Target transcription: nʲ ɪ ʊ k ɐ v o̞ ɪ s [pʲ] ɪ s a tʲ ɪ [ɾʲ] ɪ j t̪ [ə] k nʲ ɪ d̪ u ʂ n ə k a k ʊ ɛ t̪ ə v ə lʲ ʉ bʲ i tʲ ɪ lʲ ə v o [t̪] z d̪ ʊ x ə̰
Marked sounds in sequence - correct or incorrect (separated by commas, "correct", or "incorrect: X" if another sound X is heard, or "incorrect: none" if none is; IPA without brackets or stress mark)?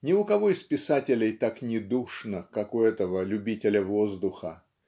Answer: correct, incorrect: lʲ, incorrect: a, incorrect: none